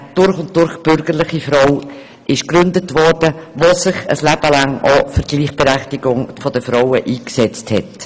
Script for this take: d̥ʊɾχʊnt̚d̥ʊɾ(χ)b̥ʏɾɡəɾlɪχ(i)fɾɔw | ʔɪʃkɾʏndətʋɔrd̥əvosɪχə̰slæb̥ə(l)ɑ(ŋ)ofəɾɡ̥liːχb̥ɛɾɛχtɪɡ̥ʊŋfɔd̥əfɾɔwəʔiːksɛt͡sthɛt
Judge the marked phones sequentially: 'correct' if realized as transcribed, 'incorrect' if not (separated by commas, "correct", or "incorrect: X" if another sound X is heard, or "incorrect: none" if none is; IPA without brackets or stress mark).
correct, correct, correct, correct